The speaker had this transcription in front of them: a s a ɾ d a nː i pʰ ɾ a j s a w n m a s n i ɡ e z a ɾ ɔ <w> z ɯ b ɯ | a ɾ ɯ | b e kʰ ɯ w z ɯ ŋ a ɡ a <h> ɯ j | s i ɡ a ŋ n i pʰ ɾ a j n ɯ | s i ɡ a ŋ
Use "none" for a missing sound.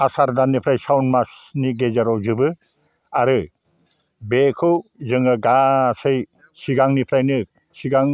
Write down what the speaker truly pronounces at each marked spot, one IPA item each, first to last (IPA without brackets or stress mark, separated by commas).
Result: w, s